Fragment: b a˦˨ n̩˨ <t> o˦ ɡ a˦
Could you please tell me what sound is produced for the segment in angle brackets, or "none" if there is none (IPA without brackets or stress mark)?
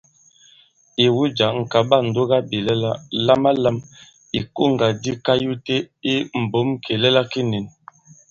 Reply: d